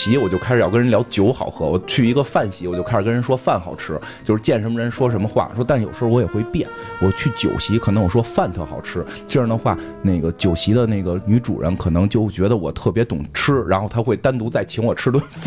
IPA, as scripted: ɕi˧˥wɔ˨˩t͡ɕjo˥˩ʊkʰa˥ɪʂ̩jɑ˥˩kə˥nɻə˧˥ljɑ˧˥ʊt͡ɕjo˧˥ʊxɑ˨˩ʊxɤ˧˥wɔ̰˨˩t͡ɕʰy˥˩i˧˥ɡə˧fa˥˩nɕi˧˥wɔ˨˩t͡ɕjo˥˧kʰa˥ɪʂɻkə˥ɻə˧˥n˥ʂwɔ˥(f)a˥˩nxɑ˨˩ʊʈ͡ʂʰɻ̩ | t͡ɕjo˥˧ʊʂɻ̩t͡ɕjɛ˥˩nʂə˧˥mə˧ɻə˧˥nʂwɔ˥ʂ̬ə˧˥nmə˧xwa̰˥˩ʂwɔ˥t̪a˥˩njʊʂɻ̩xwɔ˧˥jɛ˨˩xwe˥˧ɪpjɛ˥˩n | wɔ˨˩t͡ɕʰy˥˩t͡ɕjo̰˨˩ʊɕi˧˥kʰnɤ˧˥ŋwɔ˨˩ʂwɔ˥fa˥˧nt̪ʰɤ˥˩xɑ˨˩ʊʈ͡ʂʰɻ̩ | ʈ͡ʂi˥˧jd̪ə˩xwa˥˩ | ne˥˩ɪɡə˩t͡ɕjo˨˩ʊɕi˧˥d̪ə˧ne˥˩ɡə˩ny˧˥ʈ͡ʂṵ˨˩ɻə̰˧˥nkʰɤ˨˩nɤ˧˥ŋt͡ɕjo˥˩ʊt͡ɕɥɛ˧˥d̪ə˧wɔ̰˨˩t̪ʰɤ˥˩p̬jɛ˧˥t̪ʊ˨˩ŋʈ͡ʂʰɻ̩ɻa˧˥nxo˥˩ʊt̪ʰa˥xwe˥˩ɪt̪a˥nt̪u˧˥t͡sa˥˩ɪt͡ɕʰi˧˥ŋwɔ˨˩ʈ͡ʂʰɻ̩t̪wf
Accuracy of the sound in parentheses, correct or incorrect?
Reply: correct